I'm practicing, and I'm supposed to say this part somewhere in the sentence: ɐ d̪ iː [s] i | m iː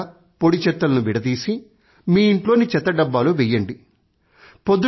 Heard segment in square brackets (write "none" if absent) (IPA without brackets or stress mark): s